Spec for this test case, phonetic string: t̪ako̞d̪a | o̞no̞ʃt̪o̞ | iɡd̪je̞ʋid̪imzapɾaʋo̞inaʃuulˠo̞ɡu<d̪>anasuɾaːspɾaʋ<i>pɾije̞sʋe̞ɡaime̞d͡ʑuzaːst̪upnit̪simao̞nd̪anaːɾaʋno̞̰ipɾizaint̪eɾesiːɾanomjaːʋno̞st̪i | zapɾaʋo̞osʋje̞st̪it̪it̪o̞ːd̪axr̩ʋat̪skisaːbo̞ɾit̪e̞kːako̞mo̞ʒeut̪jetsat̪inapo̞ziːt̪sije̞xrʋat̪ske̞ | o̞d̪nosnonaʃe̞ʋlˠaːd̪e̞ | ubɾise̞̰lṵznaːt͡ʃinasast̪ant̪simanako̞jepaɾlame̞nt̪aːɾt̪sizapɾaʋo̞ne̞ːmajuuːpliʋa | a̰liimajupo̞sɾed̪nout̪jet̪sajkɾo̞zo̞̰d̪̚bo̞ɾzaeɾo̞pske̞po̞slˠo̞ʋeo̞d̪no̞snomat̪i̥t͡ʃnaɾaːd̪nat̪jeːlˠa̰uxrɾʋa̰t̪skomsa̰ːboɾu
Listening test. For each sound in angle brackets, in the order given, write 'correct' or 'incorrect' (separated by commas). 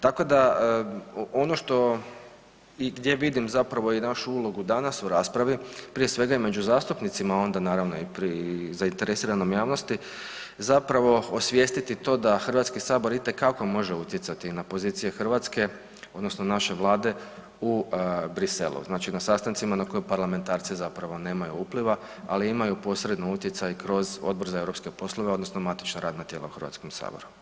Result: correct, correct